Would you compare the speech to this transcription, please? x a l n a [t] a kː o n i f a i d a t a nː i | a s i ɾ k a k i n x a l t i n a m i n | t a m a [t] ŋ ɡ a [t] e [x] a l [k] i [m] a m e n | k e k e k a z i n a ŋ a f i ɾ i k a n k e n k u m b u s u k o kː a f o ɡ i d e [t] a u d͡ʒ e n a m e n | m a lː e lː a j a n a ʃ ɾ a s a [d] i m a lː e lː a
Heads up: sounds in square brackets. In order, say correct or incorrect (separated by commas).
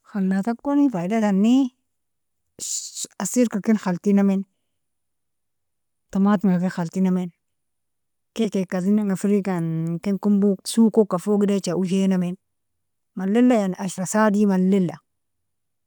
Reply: correct, correct, incorrect, correct, incorrect, incorrect, incorrect, correct